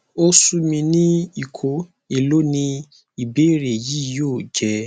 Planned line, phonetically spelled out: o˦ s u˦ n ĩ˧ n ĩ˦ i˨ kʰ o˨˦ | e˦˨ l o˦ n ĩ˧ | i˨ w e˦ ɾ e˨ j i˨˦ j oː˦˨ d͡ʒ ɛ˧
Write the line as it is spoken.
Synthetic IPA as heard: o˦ s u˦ m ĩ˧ n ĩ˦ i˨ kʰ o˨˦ | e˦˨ l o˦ n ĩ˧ | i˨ b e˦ ɾ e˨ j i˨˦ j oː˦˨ d͡ʒ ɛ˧